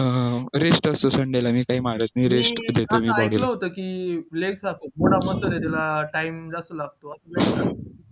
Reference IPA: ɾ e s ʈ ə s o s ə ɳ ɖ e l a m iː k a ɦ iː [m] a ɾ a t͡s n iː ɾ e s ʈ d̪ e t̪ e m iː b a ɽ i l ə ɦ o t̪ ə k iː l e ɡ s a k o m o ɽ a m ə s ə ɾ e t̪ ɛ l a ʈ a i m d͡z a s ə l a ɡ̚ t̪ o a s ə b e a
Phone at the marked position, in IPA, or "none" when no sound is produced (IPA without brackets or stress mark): m